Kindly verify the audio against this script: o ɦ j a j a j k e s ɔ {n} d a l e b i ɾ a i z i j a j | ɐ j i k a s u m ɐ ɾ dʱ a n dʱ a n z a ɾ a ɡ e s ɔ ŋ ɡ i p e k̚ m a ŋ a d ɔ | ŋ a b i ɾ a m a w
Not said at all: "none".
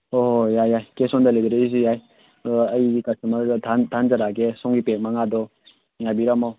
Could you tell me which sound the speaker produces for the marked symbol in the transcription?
n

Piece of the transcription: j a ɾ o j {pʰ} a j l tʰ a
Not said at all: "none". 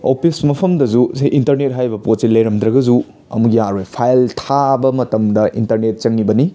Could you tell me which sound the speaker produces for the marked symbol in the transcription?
pʰ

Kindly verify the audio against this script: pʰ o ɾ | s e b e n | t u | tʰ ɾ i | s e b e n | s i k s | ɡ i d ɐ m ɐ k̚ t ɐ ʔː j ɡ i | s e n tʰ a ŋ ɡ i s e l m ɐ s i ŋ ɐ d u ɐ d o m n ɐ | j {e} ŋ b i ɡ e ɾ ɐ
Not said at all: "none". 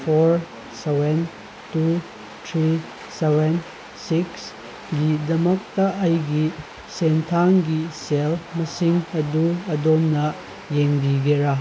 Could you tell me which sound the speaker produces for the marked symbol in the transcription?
e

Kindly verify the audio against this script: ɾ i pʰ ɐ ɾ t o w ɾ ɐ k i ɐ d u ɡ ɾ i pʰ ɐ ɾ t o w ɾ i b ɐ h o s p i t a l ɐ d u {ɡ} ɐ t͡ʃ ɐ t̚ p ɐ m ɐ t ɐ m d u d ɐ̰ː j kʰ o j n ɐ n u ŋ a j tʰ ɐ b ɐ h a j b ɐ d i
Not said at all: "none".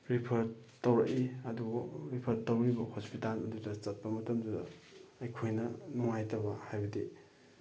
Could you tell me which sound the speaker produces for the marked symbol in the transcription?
d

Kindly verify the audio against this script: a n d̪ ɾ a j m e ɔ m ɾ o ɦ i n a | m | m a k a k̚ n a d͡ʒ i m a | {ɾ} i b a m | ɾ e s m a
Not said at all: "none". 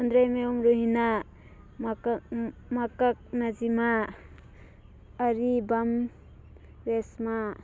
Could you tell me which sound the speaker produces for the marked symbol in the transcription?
ɾ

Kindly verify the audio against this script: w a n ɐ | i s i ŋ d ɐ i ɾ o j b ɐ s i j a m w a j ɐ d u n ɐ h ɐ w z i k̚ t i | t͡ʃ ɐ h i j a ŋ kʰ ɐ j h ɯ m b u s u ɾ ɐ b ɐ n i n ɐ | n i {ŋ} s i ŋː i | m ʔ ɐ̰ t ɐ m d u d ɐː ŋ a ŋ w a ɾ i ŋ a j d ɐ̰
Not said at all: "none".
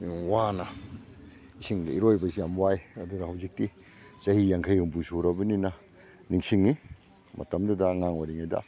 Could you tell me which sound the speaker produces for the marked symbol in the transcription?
ŋ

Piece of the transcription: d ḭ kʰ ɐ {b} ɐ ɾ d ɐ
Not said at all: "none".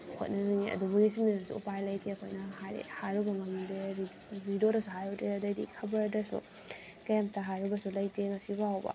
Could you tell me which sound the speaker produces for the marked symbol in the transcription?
b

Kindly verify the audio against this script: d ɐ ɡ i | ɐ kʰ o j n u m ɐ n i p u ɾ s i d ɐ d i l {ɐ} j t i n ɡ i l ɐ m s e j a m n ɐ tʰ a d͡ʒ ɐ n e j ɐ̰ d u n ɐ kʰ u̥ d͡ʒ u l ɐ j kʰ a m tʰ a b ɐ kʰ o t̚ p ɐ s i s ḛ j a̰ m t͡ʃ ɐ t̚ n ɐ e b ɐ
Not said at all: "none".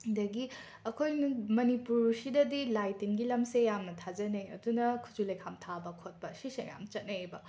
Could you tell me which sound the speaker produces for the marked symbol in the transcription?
a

